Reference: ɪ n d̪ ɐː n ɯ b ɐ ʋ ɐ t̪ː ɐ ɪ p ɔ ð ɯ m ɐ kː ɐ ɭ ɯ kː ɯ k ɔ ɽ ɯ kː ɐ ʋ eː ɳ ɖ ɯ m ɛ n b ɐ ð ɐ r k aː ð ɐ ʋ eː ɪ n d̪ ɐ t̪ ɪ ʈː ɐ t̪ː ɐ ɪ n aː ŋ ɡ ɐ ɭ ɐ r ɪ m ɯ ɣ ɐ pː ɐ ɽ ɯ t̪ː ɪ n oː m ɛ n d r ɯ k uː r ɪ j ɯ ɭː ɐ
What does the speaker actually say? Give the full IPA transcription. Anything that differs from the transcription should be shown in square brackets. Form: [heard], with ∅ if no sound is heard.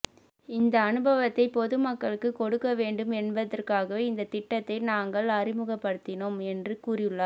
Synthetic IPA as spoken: ɪ n d̪ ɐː n ɯ b ɐ ʋ ɐ t̪ː ɐ ɪ p ɔ ð ɯ m ɐ kː ɐ ɭ ɯ kː ɯ k ɔ ɽ ɯ kː ɐ ʋ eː ɳ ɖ ɯ m ɛ n b ɐ ð ɐ r k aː [ɣ] ɐ ʋ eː ɪ n d̪ ɐ t̪ ɪ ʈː ɐ t̪ː ɐ ɪ n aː ŋ ɡ ɐ ɭ ɐ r ɪ m ɯ ɣ ɐ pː ɐ ɽ ɯ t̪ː ɪ n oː m ɛ n d r ɯ k uː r ɪ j ɯ ɭː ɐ